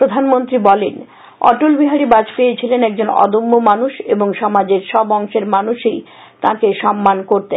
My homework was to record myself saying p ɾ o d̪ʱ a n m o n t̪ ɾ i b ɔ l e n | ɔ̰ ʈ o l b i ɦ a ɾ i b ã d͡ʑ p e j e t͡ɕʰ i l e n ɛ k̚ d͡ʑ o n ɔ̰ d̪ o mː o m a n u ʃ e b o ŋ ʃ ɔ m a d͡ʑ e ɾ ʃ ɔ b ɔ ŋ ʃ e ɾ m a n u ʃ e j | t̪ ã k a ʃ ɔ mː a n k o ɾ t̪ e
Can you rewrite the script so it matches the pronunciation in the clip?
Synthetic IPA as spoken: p ɾ o d̪ʱ a n m o n t̪ ɾ i b ɔ l e n | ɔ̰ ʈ o l b i ɦ a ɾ i b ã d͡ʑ p e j e t͡ɕʰ i l e n ɛ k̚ d͡ʑ o n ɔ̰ d̪ o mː o m a n u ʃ e b o ŋ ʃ ɔ m a d͡ʑ e ɾ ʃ ɔ b ɔ ŋ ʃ e ɾ m a n u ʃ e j | t̪ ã k e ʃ ɔ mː a n k o ɾ t̪ e